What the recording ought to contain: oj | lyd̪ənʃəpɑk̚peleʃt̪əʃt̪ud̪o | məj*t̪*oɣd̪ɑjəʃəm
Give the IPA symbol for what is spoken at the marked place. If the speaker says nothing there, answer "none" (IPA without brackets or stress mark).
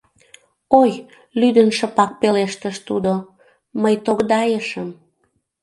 t̪